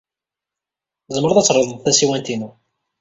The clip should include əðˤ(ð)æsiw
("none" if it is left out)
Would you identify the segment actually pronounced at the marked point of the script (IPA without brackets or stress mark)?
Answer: θ